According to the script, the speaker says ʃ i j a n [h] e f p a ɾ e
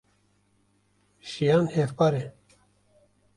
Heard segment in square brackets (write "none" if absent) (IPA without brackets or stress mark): h